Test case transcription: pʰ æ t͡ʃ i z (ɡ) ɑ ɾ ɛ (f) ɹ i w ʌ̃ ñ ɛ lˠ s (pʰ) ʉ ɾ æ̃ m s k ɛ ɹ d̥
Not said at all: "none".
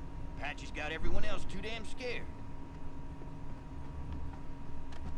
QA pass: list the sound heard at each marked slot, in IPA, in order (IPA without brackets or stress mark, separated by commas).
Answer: ɡ, v, tʰ